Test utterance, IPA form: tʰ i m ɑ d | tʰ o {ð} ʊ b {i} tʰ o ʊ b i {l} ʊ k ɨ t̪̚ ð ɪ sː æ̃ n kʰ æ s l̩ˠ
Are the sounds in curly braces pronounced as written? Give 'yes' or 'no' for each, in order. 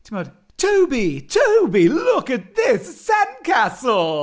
no, yes, yes

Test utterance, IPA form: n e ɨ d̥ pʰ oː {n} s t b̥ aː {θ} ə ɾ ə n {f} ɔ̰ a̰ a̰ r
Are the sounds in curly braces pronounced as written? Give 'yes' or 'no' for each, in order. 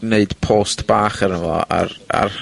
no, no, no

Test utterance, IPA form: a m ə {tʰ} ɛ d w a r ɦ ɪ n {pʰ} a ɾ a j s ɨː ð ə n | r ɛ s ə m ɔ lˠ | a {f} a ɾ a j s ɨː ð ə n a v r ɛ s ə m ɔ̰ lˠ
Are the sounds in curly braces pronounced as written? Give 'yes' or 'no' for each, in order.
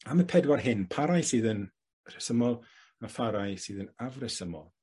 no, yes, yes

